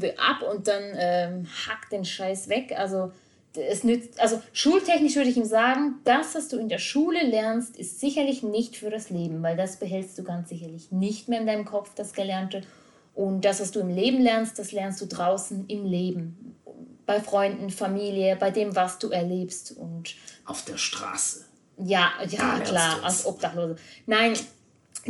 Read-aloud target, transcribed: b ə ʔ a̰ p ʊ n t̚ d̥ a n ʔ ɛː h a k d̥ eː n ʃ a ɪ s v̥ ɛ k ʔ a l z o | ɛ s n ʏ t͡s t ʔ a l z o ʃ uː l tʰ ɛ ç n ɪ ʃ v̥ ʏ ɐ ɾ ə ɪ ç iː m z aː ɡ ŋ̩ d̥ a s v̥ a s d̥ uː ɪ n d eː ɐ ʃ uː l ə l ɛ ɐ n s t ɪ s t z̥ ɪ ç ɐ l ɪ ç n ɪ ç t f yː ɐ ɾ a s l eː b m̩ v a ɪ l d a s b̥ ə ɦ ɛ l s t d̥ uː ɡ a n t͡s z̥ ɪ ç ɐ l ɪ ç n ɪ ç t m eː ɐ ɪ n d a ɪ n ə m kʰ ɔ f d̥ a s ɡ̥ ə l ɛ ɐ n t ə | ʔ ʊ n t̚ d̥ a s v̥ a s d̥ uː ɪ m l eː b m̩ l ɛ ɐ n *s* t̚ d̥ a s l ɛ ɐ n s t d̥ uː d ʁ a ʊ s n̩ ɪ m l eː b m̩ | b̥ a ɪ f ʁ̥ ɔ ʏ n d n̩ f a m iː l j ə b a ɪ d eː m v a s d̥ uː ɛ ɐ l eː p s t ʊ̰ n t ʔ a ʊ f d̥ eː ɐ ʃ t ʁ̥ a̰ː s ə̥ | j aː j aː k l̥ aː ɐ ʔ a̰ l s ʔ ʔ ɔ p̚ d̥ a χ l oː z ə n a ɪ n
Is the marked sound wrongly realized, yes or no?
no